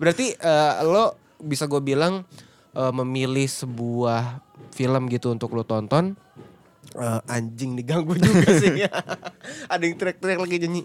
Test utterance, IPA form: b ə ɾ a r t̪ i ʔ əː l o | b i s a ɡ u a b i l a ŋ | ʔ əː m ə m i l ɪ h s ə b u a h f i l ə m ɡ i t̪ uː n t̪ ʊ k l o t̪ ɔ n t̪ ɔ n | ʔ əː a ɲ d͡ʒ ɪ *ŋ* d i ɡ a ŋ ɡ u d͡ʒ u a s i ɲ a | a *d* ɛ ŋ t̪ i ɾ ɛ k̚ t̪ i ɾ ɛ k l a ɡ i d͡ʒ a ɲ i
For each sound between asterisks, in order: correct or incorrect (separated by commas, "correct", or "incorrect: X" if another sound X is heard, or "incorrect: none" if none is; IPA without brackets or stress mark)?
correct, correct